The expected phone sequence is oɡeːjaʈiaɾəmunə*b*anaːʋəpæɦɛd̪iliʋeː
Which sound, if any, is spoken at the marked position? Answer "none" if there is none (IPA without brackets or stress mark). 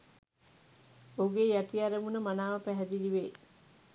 m